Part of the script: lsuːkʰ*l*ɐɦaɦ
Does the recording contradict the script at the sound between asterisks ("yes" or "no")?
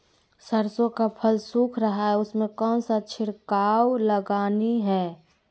yes